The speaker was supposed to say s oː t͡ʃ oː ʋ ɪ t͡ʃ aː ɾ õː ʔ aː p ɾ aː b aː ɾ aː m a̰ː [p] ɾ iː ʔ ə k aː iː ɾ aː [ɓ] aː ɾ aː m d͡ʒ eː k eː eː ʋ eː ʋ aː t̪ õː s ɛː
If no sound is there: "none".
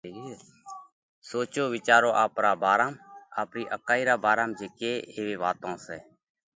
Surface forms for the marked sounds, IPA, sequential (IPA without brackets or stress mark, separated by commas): p, b